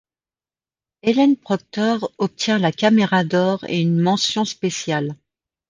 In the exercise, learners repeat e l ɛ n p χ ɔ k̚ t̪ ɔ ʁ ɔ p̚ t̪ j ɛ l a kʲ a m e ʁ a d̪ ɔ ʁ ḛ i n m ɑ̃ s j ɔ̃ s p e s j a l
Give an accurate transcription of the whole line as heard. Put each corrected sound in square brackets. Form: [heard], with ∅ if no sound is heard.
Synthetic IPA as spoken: e l ɛ n p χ ɔ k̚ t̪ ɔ ʁ ɔ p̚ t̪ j [ɛ̃] l a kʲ a m e ʁ a d̪ ɔ ʁ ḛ [y] n m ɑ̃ s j ɔ̃ s p e s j a l